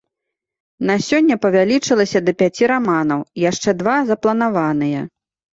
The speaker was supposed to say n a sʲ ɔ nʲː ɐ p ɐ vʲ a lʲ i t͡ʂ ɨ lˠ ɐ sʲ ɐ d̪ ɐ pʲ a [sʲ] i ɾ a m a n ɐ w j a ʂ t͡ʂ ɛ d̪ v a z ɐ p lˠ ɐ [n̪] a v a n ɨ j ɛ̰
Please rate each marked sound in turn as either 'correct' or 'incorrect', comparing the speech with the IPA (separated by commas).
incorrect, correct